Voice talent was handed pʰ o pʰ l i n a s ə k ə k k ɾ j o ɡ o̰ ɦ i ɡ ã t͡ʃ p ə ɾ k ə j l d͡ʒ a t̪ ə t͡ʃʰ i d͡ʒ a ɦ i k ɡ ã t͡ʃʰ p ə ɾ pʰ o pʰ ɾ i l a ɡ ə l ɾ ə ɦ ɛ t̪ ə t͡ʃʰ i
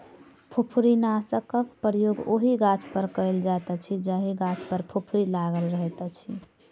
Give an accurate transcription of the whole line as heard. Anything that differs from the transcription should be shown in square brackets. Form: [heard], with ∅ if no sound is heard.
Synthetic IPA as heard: pʰ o pʰ [ɾ] i n a s ə k ə k [p] ɾ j o ɡ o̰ ɦ i ɡ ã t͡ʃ p ə ɾ k ə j l d͡ʒ a t̪ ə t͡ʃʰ i d͡ʒ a ɦ i [∅] ɡ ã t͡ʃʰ p ə ɾ pʰ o pʰ ɾ i l a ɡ ə l ɾ ə ɦ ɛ t̪ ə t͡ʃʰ i

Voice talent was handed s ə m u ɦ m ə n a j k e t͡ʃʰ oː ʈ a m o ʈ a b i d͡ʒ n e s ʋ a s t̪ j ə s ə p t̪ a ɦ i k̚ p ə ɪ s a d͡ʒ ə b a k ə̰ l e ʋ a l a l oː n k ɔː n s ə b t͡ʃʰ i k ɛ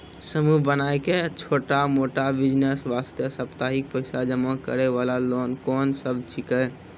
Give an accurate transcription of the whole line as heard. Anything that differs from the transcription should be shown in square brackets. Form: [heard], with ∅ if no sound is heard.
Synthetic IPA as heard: s ə m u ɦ [b] ə n a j k e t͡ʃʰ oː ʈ a m o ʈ a b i d͡ʒ n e s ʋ a s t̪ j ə s ə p t̪ a ɦ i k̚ p ə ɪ s a d͡ʒ ə [m] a k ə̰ [ɾ] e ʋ a l a l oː n k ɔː n s ə b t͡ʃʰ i k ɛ

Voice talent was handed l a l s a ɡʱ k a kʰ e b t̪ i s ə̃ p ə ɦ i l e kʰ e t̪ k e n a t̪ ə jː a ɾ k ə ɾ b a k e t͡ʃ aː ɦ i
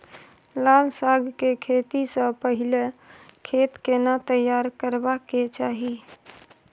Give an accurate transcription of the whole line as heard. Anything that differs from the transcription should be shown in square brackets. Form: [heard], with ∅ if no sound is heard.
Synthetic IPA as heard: l a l s a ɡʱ k [e] kʰ e [∅] t̪ i s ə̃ p ə ɦ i l e kʰ e t̪ k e n a t̪ ə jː a ɾ k ə ɾ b a k e t͡ʃ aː ɦ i

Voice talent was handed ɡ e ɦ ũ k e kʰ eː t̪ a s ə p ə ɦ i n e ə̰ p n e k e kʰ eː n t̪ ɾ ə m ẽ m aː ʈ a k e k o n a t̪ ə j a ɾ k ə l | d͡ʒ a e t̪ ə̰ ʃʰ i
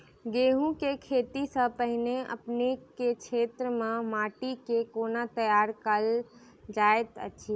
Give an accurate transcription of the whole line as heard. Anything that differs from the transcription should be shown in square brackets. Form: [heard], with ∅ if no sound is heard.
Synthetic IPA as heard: ɡ e ɦ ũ k e kʰ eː t̪ [i] s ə p ə ɦ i n e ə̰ p n e k e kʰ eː [∅] t̪ ɾ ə m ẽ m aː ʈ [i] k e k o n a t̪ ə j a ɾ k ə l | d͡ʒ a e t̪ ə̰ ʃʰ i

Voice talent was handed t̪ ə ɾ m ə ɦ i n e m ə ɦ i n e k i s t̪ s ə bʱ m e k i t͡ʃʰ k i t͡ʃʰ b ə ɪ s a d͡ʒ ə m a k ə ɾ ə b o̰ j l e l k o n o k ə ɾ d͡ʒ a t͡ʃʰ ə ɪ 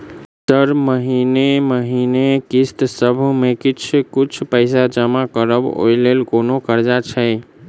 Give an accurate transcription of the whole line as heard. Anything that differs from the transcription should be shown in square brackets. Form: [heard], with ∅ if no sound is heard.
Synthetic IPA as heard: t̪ ə ɾ m ə ɦ i n e m ə ɦ i n e k i s t̪ s ə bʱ m e k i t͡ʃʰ k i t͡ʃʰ [p] ə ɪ s a d͡ʒ ə m a k ə ɾ ə b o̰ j l e l k o n o k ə ɾ d͡ʒ a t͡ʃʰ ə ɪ

